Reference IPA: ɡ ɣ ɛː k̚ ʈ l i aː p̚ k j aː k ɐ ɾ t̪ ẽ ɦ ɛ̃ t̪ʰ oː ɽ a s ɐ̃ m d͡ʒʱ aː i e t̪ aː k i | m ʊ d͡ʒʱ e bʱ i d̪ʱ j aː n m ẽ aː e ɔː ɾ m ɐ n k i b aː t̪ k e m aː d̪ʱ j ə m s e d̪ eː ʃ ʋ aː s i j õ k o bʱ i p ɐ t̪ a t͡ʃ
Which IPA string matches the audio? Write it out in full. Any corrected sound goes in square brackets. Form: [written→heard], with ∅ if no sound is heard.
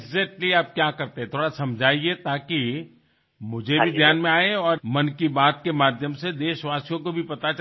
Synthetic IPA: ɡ [ɣ→z] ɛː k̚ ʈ l i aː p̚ k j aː k ɐ ɾ t̪ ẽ ɦ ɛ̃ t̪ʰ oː ɽ a s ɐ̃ m d͡ʒʱ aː i e t̪ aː k i | m ʊ d͡ʒʱ e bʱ i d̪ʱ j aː n m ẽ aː e ɔː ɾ m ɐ n k i b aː t̪ k e m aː d̪ʱ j ə m s e d̪ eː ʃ ʋ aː s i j õ k o bʱ i p ɐ t̪ a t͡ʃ

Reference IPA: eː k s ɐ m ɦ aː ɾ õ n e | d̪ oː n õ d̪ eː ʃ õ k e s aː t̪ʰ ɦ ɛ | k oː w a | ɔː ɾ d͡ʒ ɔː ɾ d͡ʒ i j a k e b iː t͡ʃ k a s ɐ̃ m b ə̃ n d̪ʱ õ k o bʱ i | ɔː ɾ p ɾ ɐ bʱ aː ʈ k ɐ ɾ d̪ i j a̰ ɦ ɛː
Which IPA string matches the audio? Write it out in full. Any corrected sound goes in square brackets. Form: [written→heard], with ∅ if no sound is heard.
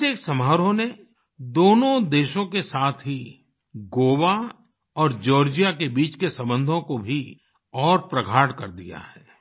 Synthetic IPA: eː k s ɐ m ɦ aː ɾ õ n e | d̪ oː n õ d̪ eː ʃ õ k e s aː t̪ʰ ɦ [ɛ→i] | [k→ɡ] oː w a | ɔː ɾ d͡ʒ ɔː ɾ d͡ʒ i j a k e b iː t͡ʃ k [a→e] s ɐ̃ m b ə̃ n d̪ʱ õ k o bʱ i | ɔː ɾ p ɾ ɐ [bʱ→ɡʱ] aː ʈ k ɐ ɾ d̪ i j a̰ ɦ ɛː

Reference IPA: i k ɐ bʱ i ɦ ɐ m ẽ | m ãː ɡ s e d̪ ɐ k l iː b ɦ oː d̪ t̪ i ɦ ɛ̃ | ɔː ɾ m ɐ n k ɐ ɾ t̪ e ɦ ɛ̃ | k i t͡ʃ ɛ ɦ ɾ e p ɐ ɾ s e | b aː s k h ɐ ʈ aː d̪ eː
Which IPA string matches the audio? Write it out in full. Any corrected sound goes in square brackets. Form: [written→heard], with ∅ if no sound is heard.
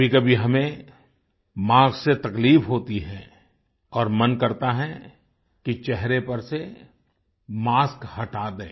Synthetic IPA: i k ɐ bʱ i ɦ ɐ m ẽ | m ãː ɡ s e [d̪→t̪] ɐ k l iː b ɦ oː [d̪→∅] t̪ i ɦ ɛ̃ | ɔː ɾ m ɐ n k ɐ ɾ t̪ [e→a] ɦ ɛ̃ | k i t͡ʃ ɛ ɦ ɾ e p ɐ ɾ s e | [b→m] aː s k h ɐ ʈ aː d̪ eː

